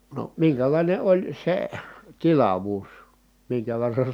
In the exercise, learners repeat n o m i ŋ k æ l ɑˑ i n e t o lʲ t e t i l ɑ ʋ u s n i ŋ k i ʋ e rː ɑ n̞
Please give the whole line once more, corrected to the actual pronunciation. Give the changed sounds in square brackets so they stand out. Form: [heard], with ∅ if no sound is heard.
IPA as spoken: n o m i ŋ k æ l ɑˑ i n e [∅] o lʲ [s] e t i l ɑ ʋ [uː] s [m] i ŋ k [æ] ʋ e rː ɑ n̞